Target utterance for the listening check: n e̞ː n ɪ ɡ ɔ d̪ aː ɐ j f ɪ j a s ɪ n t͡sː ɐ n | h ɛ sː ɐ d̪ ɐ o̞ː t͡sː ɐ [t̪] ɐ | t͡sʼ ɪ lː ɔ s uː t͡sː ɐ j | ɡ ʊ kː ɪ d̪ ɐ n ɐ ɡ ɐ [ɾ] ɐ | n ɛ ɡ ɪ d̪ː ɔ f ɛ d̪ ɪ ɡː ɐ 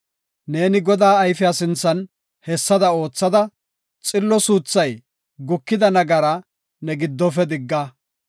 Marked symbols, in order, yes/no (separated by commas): no, yes